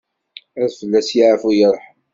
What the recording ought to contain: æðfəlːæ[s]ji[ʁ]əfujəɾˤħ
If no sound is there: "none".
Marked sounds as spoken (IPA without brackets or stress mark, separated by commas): s, ʕ